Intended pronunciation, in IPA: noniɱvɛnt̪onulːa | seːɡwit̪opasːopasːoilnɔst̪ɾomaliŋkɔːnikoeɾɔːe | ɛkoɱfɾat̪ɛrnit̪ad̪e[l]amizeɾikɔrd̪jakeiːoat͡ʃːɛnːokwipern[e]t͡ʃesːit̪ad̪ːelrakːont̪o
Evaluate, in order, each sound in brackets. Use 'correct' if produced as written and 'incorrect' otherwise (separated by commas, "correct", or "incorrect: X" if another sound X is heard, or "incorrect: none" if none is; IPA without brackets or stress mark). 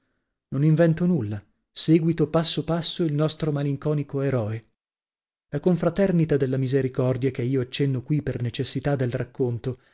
incorrect: lː, correct